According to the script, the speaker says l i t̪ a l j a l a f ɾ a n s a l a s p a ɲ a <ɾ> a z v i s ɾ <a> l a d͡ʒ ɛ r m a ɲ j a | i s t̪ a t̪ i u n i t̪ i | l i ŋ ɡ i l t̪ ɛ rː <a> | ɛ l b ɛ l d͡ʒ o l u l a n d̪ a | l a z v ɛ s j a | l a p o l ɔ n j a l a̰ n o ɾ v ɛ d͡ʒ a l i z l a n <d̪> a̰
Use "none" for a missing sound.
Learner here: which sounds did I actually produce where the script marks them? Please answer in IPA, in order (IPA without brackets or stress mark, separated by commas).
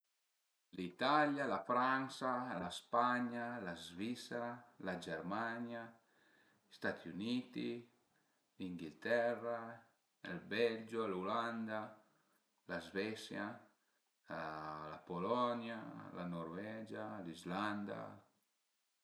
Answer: l, a, a, d̪